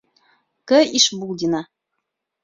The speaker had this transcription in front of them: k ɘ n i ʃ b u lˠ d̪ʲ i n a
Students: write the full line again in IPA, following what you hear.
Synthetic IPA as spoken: k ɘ i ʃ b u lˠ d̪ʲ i n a